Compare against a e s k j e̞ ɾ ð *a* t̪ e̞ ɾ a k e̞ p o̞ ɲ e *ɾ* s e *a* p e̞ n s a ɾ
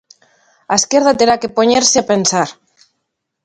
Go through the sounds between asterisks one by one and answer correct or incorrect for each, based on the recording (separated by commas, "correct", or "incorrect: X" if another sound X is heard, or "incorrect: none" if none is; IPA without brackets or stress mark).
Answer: correct, correct, correct